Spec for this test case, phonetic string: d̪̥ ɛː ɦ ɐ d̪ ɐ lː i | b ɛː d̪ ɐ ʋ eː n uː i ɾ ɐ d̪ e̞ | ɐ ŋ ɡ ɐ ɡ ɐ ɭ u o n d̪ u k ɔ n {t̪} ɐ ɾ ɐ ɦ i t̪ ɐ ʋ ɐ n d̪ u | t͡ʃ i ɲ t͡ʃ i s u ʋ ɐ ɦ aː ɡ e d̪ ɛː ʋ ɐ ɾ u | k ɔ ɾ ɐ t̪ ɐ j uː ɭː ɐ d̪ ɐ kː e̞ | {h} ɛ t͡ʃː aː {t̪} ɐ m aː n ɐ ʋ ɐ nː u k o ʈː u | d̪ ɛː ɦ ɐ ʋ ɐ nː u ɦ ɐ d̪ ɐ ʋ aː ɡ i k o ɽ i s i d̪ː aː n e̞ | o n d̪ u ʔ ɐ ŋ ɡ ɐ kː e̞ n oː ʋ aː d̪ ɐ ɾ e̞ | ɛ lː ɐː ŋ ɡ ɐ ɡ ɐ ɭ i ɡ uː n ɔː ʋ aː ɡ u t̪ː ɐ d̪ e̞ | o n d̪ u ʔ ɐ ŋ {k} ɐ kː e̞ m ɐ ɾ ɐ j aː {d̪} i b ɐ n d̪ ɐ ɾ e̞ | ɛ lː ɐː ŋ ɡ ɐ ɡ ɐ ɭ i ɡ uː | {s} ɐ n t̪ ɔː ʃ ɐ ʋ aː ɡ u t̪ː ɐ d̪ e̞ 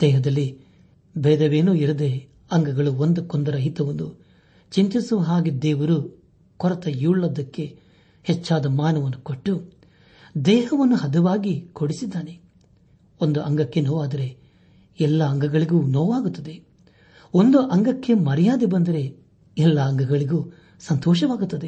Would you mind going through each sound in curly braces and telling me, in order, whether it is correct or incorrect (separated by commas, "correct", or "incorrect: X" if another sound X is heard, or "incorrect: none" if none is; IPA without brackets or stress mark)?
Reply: incorrect: d̪, correct, incorrect: d̪, incorrect: ɡ, correct, correct